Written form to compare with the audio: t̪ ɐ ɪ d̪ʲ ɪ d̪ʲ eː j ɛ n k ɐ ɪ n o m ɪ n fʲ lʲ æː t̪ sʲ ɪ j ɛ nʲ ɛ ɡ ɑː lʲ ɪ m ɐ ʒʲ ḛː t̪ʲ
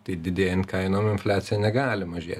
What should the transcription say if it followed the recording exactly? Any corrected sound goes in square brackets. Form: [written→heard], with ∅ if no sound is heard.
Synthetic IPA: t̪ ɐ ɪ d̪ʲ ɪ d̪ʲ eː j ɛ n k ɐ ɪ n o m ɪ n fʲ lʲ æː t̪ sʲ ɪ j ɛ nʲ ɛ ɡ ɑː lʲ ɪ m ɐ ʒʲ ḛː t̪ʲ

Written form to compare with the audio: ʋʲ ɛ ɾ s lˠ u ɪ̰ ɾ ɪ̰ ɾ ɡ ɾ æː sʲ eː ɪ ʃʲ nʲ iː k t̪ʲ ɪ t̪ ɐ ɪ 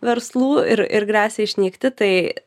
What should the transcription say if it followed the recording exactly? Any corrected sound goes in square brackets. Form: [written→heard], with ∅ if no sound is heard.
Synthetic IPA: ʋʲ ɛ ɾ s lˠ [u→uː] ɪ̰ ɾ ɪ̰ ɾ ɡ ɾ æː sʲ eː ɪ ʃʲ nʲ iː k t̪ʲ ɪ t̪ ɐ ɪ

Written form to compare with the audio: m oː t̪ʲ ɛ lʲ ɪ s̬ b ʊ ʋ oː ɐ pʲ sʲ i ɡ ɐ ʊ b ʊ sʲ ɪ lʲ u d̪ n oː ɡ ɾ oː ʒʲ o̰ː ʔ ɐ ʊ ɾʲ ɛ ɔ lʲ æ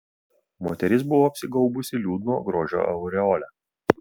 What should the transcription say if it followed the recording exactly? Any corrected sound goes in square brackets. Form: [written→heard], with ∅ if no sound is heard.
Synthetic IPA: m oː t̪ʲ ɛ [lʲ→ɾʲ] ɪ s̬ b ʊ ʋ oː ɐ pʲ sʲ [i→ɪ] ɡ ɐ ʊ b ʊ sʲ ɪ lʲ [u→uː] d̪ n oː ɡ ɾ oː ʒʲ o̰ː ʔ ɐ ʊ ɾʲ ɛ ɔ lʲ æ

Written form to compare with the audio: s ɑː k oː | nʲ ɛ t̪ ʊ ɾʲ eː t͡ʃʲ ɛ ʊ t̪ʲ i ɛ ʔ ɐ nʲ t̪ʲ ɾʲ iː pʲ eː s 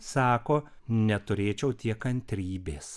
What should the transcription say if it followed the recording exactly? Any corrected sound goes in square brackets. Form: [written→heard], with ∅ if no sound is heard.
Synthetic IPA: s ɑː k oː | nʲ ɛ t̪ ʊ ɾʲ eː t͡ʃʲ ɛ ʊ t̪ʲ i ɛ [ʔ→k] ɐ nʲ t̪ʲ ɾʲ iː [pʲ→bʲ] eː s

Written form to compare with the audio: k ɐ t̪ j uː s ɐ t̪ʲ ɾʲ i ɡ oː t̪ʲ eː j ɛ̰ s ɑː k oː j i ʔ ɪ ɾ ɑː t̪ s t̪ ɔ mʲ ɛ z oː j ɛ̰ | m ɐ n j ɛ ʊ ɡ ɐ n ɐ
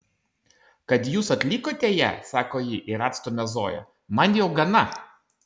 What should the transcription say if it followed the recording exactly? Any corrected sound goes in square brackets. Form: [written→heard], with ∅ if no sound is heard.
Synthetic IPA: k ɐ t̪ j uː s ɐ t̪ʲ [ɾʲ→lʲ] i [ɡ→k] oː t̪ʲ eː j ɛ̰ s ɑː k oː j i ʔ ɪ ɾ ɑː t̪ s t̪ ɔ mʲ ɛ z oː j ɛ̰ | m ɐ n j ɛ ʊ ɡ ɐ n ɐ

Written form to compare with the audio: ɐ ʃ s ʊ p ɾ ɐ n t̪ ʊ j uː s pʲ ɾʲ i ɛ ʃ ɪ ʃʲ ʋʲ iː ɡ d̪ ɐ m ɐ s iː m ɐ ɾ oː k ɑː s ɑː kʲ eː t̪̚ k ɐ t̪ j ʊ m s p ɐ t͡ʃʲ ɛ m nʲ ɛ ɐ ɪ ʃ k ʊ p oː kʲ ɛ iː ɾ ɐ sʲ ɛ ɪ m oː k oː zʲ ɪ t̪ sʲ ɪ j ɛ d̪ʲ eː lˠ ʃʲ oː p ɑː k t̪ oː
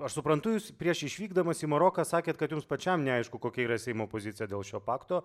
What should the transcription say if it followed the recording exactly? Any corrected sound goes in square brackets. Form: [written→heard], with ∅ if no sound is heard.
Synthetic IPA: ɐ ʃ s ʊ p ɾ ɐ n t̪ ʊ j uː s pʲ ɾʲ i ɛ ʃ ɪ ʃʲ ʋʲ iː ɡ d̪ ɐ m ɐ s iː m ɐ ɾ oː k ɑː s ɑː kʲ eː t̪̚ k ɐ t̪ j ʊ m s p ɐ t͡ʃʲ ɛ m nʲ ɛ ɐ ɪ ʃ k ʊ [p→k] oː kʲ ɛ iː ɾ ɐ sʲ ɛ ɪ m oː [k→p] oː zʲ ɪ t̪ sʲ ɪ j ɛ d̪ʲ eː lˠ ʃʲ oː p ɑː k t̪ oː

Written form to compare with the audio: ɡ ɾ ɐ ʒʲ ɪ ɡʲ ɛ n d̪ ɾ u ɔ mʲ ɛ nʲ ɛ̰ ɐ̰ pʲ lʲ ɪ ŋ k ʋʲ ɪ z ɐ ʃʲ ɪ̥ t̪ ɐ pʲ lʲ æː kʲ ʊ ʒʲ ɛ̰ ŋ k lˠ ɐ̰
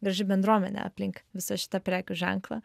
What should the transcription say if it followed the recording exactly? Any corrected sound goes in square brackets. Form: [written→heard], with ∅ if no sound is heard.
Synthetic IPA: ɡ ɾ ɐ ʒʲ ɪ [ɡʲ→bʲ] ɛ n d̪ ɾ u ɔ mʲ ɛ nʲ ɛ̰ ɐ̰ pʲ lʲ ɪ ŋ k ʋʲ ɪ [z→s] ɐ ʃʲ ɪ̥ t̪ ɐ pʲ [lʲ→ɾʲ] æː kʲ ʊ ʒʲ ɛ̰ ŋ k lˠ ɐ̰

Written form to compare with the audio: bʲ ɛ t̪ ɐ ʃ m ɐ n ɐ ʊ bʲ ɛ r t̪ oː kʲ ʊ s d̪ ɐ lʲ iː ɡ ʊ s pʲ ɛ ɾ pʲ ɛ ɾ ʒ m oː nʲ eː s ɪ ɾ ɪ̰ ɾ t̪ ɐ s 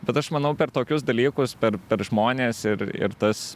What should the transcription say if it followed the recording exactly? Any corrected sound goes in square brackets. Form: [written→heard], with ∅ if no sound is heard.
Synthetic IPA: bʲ ɛ t̪ ɐ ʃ m ɐ n ɐ ʊ [bʲ→pʲ] ɛ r t̪ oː kʲ ʊ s d̪ ɐ lʲ iː [ɡ→k] ʊ s pʲ ɛ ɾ pʲ ɛ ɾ ʒ m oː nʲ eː s ɪ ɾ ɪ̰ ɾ t̪ ɐ s

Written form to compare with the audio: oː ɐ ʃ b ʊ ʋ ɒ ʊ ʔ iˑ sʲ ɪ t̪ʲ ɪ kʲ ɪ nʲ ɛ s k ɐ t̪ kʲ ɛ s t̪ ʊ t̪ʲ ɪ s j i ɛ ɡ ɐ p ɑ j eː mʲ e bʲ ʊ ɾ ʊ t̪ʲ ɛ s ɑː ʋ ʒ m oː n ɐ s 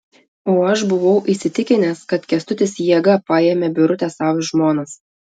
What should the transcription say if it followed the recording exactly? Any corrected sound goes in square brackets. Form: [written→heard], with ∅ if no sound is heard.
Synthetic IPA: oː ɐ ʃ b ʊ ʋ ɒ ʊ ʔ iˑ sʲ ɪ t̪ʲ ɪ kʲ ɪ nʲ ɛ s k ɐ t̪ kʲ ɛ s t̪ ʊ t̪ʲ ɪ s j i ɛ ɡ ɐ p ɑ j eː mʲ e bʲ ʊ ɾ ʊ t̪ʲ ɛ s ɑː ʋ ʒ m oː n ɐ s

